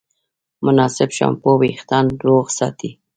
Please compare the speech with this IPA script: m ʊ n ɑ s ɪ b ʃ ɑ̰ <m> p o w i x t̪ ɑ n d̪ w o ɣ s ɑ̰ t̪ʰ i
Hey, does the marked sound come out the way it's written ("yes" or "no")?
yes